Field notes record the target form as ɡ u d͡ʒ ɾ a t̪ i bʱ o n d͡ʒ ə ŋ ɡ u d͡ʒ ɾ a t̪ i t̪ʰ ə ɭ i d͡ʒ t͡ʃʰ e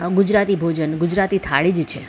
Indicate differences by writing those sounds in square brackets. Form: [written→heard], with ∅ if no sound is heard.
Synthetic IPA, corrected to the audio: ɡ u d͡ʒ ɾ a t̪ i bʱ o [n→∅] d͡ʒ ə [ŋ→n] ɡ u d͡ʒ ɾ a t̪ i t̪ʰ [ə→a] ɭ i d͡ʒ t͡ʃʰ e